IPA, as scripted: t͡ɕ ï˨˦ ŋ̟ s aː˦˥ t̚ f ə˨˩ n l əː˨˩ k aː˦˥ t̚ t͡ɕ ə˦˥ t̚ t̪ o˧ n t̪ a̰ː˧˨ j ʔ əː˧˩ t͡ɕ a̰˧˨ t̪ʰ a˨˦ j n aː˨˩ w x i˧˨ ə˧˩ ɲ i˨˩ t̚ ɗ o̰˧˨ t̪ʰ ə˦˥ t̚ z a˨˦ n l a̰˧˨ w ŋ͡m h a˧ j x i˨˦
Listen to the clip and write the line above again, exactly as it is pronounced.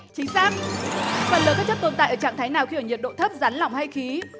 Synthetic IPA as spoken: t͡ɕ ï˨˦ ŋ̟ s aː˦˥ k̚ f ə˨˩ n l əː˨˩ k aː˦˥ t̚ t͡ɕ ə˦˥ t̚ t̪ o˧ n t̪ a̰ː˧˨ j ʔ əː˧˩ t͡ɕ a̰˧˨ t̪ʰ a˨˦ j n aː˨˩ w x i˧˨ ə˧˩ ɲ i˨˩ t̚ ɗ o̰˧˨ t̪ʰ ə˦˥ p̚ z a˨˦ n l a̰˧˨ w ŋ͡m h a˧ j x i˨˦